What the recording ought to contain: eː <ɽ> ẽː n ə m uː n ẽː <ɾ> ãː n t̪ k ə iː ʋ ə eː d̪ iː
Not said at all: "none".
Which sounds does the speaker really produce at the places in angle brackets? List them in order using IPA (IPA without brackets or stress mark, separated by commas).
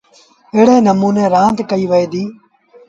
ɽ, ɾ